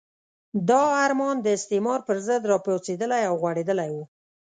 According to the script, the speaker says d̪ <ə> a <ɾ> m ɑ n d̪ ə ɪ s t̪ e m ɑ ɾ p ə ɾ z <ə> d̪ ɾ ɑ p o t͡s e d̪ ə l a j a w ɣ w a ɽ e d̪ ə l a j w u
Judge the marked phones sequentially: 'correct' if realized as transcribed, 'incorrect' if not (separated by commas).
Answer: incorrect, correct, correct